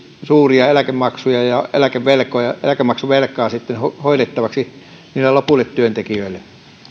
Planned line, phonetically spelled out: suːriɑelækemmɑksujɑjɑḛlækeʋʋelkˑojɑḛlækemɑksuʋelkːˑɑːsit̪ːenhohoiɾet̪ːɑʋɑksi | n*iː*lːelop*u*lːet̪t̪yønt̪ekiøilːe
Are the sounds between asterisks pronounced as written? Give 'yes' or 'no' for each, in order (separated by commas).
yes, yes